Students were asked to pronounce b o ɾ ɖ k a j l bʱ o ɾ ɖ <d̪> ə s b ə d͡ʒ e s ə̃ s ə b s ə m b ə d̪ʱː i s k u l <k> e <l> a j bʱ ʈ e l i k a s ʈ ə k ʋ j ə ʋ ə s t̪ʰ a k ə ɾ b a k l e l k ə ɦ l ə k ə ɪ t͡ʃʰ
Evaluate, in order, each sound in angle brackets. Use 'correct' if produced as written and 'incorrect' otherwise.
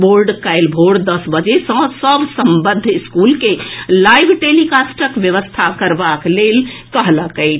correct, correct, correct

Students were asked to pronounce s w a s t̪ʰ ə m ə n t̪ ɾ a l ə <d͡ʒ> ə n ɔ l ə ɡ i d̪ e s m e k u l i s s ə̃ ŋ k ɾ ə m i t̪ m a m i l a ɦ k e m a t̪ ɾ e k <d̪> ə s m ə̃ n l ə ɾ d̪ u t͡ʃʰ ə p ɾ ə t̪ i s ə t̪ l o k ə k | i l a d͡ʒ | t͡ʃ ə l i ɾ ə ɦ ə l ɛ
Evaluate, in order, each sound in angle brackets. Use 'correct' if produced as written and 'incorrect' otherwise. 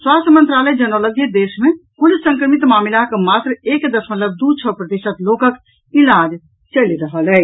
correct, correct

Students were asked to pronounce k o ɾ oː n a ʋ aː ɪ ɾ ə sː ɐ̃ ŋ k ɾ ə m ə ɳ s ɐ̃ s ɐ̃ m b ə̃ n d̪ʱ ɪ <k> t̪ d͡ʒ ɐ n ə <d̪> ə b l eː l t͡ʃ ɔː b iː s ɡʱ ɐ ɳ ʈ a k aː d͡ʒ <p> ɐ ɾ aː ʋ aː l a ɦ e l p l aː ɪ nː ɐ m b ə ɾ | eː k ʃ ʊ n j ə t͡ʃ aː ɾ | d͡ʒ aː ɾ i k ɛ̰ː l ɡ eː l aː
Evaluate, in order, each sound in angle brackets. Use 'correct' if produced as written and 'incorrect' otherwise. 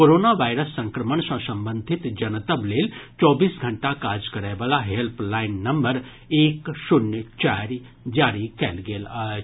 incorrect: none, incorrect: t̪, incorrect: k

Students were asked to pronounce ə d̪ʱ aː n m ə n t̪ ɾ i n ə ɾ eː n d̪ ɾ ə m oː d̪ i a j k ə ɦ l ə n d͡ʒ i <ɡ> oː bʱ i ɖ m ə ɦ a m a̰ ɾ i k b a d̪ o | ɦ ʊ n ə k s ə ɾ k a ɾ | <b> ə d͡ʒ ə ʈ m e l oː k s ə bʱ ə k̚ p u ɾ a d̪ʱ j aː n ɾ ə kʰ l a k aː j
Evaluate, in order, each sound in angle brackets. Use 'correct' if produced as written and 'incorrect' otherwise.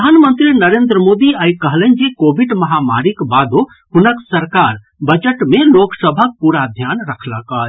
incorrect: k, correct

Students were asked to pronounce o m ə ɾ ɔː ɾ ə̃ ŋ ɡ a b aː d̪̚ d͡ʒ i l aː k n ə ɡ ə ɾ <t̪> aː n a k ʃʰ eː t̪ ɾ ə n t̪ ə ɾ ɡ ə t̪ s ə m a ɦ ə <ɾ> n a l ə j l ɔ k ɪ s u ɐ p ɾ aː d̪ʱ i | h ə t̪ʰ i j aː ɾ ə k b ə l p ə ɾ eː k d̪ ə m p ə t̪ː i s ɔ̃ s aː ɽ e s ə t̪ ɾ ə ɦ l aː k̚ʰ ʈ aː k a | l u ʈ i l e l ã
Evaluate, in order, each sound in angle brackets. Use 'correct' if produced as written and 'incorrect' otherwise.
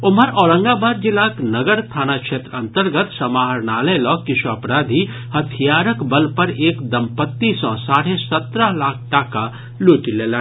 incorrect: t̪ʰ, correct

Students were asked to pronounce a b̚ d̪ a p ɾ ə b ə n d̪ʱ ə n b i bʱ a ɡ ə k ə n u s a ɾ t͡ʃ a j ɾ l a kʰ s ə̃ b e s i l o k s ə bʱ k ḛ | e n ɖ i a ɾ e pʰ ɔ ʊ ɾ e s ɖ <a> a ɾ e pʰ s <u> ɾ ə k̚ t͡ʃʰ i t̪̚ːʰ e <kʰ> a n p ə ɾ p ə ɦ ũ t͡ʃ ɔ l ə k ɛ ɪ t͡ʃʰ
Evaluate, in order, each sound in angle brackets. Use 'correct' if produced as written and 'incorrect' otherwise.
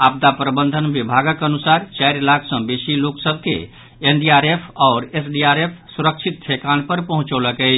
incorrect: i, correct, incorrect: k

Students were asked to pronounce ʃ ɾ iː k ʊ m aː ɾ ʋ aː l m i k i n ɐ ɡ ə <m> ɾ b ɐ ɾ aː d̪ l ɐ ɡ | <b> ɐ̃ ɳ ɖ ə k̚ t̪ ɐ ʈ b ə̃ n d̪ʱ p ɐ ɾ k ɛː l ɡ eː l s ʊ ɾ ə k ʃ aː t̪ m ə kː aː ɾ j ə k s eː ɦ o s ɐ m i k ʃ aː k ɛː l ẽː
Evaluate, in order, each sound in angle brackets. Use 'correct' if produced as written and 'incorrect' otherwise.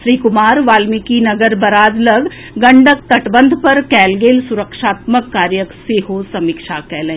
incorrect: none, incorrect: ɡ

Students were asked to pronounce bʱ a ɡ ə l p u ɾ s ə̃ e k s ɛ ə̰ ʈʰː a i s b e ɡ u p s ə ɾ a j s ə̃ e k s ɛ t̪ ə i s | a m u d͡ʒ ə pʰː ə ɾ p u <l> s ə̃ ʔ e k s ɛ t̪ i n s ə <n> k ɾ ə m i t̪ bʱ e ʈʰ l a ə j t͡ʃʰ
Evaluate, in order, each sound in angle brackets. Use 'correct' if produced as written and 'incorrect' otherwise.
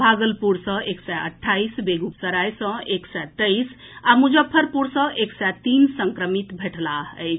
incorrect: ɾ, incorrect: ŋ

